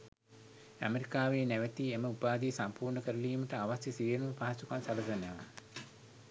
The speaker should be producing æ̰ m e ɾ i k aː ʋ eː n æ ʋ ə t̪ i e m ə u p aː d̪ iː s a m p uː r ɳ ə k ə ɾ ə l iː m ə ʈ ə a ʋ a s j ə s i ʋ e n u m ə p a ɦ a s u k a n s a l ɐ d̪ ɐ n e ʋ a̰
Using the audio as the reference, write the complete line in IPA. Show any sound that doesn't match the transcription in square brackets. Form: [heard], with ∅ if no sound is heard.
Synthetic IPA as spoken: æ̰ m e ɾ i k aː ʋ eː n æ ʋ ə t̪ i e m ə u p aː d̪ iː s a m p uː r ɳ ə k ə ɾ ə l iː m ə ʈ ə a ʋ a s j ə s i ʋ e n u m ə p a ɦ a s u k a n s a l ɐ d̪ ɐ n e ʋ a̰